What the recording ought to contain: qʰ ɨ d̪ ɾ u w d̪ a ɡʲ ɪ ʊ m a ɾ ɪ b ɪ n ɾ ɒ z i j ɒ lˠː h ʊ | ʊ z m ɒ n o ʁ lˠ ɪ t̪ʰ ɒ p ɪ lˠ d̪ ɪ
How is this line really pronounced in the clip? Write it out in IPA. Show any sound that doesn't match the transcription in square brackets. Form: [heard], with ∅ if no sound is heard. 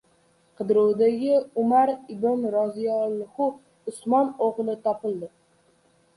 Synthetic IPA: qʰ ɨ d̪ ɾ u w d̪ a ɡʲ ɪ ʊ m a ɾ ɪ b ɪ n ɾ ɒ z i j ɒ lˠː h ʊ | ʊ [s] m ɒ n o ʁ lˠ ɪ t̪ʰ ɒ p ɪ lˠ d̪ ɪ